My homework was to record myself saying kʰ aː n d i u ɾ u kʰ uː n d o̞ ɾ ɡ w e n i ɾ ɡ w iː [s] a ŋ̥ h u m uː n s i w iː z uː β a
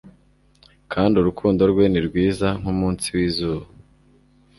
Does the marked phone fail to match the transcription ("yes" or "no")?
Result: yes